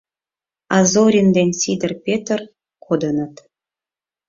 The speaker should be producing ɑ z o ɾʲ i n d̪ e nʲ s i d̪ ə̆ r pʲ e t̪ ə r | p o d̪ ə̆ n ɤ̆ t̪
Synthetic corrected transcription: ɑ z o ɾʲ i n d̪ e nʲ s i d̪ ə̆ r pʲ e t̪ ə r | k o d̪ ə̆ n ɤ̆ t̪